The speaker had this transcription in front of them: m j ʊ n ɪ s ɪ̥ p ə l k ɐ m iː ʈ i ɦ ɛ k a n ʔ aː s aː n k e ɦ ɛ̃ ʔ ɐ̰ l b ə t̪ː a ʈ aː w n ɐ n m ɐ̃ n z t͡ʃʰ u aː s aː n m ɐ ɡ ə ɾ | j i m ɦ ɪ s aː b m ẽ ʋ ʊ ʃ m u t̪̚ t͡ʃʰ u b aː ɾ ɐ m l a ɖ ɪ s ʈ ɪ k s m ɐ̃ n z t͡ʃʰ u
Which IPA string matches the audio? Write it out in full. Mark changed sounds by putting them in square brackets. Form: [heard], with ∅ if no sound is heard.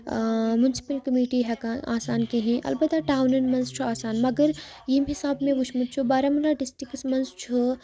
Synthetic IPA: m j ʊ n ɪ s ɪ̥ p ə l k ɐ m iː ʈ i ɦ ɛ k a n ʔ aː s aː n k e ɦ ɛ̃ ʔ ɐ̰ l b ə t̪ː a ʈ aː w n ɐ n m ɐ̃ n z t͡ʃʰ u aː s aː n m ɐ ɡ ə ɾ | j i m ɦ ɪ s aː b m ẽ ʋ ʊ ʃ m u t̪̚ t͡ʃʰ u b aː ɾ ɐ m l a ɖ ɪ s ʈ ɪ k s m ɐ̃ n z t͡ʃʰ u